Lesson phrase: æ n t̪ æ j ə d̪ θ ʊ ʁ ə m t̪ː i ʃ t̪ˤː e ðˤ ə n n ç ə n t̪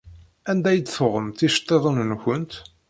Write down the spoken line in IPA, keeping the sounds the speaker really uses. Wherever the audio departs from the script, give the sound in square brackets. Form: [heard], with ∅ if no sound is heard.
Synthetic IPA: æ n [d̪] æ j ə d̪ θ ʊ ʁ ə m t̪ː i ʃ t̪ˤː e ðˤ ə n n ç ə n t̪